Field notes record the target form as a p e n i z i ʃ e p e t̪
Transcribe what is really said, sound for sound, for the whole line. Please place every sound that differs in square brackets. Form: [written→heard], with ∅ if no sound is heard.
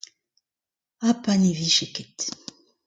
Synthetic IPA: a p [e→a] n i [z→v] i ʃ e [p→k] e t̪